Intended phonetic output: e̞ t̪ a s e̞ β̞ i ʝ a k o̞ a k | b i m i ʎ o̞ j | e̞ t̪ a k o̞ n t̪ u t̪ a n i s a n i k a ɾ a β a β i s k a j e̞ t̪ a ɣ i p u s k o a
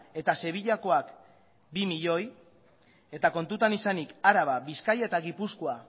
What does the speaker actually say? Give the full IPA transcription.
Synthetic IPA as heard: e̞ t̪ a s e̞ β̞ i ʎ a k o̞ a k | b i m i ʎ o̞ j | e̞ t̪ a k o̞ n t̪ u t̪ a n i s a n i k a ɾ a β a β i s k a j e̞ t̪ a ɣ i p u s k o a